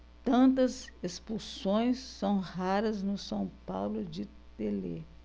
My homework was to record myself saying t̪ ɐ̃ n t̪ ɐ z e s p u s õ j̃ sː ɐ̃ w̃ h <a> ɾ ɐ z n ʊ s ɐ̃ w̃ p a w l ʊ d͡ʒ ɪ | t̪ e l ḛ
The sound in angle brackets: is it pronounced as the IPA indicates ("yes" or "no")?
yes